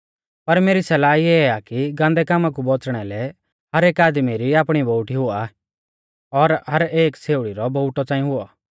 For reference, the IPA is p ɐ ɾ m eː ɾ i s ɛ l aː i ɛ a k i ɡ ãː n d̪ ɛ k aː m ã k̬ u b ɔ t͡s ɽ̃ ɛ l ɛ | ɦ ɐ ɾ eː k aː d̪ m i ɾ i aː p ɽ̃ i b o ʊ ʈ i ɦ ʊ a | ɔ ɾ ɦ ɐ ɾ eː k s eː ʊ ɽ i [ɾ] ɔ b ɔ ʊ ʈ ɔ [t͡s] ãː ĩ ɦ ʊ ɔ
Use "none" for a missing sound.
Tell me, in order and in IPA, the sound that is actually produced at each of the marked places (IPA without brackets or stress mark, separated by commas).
ɾ, t͡s